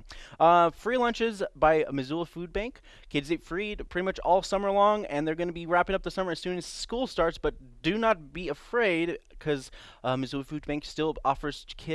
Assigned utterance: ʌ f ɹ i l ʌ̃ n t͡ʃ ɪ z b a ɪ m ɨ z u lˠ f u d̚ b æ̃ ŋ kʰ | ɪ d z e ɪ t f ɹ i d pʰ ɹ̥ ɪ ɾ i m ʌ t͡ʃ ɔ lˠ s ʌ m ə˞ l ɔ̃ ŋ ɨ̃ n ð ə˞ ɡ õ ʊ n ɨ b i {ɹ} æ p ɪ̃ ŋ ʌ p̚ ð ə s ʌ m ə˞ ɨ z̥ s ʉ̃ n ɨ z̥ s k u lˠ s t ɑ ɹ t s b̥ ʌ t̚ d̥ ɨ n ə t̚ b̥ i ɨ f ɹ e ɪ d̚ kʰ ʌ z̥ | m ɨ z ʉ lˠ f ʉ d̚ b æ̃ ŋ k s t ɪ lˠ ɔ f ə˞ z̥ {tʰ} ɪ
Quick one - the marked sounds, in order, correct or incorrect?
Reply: correct, incorrect

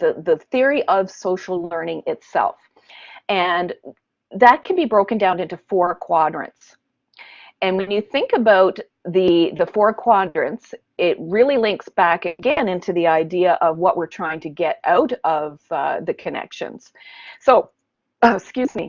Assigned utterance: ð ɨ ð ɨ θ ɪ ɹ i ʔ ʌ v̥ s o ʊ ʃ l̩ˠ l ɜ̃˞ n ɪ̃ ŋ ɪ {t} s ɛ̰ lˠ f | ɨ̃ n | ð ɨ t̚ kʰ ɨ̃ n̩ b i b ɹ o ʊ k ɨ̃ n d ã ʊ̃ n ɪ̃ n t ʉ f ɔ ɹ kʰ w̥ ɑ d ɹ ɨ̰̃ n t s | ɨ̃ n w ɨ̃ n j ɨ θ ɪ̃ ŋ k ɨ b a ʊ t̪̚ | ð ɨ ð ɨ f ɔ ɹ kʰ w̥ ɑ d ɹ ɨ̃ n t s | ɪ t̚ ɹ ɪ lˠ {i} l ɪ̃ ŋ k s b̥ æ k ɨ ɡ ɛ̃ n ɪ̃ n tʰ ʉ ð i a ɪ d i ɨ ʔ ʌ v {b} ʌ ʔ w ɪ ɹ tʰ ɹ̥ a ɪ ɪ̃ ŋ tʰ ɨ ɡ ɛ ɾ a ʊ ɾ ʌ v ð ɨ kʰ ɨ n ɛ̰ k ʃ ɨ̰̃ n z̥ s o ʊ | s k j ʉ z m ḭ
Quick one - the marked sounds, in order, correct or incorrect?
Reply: correct, correct, incorrect

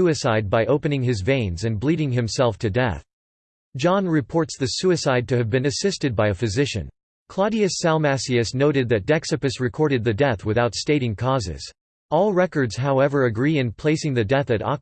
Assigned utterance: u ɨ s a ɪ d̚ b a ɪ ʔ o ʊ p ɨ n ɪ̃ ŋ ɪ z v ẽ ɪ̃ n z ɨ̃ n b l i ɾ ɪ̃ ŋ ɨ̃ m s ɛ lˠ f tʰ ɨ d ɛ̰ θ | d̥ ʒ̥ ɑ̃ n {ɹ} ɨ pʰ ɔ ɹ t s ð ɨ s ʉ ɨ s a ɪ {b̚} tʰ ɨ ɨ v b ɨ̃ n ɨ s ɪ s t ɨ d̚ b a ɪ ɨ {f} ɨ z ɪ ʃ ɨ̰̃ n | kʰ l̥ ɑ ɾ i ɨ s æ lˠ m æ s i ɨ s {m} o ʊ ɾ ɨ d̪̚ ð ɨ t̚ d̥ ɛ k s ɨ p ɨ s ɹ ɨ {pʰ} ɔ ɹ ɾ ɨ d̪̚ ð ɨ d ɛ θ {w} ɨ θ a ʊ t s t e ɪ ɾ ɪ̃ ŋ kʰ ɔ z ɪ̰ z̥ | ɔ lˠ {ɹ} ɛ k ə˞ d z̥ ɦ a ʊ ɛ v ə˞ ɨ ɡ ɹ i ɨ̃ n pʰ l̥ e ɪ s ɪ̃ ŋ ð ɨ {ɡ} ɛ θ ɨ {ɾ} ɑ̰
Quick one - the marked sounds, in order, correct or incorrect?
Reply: correct, incorrect, correct, incorrect, incorrect, correct, correct, incorrect, correct

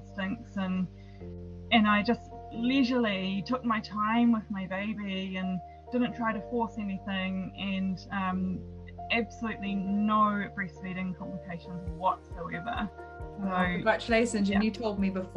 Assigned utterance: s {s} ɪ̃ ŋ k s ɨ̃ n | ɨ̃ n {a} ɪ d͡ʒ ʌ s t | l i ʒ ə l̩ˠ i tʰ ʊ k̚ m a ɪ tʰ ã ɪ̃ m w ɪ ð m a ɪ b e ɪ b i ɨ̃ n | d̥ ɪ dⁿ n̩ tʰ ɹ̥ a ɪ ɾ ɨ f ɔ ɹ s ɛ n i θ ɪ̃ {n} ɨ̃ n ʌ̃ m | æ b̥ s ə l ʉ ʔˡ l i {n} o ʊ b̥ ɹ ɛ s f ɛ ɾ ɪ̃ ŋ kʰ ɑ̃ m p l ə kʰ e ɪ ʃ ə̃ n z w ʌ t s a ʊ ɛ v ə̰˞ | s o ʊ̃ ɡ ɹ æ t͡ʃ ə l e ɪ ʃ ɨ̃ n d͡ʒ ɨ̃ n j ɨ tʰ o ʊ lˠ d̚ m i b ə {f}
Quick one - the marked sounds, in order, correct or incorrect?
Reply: incorrect, correct, incorrect, correct, correct

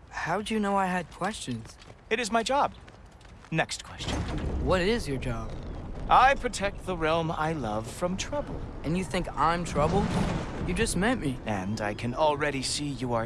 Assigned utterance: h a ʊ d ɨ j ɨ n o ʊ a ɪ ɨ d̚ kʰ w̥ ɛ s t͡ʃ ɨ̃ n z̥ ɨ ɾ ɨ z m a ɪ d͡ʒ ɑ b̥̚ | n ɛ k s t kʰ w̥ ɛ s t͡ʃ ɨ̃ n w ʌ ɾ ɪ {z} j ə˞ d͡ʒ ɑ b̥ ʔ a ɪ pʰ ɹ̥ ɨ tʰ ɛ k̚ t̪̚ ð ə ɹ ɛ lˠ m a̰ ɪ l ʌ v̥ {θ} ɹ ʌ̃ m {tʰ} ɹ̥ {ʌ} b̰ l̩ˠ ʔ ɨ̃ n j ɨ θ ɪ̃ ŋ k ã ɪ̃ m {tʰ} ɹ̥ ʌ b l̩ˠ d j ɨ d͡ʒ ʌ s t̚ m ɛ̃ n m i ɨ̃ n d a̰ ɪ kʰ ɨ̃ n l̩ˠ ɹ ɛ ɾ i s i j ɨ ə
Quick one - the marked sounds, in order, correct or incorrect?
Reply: correct, incorrect, correct, correct, correct

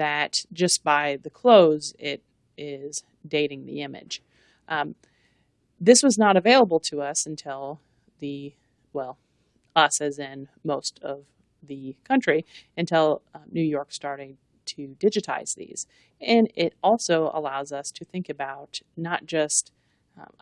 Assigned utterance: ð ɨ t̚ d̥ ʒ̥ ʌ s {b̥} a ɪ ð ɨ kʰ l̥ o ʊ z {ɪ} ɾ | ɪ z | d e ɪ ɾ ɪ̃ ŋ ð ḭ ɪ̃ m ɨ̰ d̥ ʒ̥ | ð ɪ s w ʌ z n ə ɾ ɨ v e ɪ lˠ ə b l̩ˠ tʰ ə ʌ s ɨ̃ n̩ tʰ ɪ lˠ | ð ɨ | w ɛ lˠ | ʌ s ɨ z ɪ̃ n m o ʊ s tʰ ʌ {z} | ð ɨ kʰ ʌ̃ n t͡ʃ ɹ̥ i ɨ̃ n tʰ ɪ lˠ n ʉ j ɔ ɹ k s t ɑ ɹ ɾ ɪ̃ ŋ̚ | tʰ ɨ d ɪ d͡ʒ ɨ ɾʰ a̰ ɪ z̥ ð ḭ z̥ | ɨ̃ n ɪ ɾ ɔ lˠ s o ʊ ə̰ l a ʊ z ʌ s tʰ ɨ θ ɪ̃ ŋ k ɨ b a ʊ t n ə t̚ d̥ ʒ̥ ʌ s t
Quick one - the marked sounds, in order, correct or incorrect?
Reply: correct, correct, incorrect

